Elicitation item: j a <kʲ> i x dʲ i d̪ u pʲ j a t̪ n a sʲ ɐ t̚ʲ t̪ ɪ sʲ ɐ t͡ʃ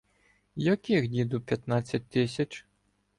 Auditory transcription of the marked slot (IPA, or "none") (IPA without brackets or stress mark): kʲ